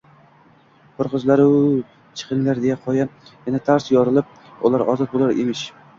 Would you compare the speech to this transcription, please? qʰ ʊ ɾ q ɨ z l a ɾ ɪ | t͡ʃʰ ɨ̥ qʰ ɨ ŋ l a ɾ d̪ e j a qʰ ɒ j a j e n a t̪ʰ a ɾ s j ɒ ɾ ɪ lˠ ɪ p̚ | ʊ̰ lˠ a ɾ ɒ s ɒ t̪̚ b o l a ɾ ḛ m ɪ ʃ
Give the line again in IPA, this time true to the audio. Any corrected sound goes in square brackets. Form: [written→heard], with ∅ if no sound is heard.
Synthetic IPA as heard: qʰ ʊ ɾ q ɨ z l a ɾ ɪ | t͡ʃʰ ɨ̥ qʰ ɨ ŋ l a ɾ d̪ e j a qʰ ɒ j a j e n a t̪ʰ a ɾ s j ɒ ɾ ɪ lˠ ɪ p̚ | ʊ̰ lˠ a ɾ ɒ [s→z] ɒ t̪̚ b o l a ɾ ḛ m ɪ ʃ